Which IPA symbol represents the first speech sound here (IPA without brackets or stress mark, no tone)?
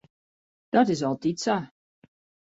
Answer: d̥